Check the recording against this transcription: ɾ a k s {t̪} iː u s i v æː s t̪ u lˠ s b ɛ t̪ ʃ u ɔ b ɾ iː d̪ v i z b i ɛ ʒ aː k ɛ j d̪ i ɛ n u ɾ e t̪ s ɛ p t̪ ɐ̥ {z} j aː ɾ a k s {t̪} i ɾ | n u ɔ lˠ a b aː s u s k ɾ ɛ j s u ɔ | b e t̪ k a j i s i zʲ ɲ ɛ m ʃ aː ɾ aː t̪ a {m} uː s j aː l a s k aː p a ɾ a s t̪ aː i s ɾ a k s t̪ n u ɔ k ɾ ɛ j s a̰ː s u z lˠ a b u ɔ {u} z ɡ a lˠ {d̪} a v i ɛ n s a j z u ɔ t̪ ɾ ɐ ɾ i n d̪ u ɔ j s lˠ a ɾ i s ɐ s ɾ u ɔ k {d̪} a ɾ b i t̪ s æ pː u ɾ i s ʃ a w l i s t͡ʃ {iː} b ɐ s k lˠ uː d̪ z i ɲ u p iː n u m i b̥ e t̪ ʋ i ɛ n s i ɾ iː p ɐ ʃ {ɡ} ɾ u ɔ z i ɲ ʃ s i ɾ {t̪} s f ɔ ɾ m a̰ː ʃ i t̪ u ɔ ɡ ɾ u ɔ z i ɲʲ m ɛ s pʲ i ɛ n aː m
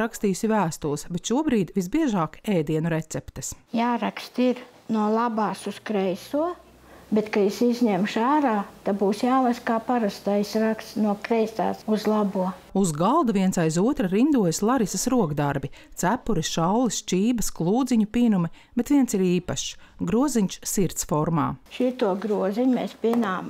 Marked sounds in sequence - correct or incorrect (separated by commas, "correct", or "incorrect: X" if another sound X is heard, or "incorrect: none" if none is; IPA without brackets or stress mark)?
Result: correct, incorrect: s, correct, incorrect: b, correct, correct, correct, correct, correct, correct